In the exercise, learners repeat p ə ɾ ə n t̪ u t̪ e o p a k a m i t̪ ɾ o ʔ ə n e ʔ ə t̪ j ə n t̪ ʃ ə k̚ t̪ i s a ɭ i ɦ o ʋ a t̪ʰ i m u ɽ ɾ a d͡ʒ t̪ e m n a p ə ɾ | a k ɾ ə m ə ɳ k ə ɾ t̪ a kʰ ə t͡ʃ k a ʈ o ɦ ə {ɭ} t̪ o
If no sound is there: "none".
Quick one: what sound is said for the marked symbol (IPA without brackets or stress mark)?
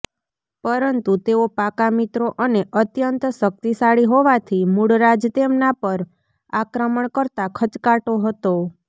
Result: none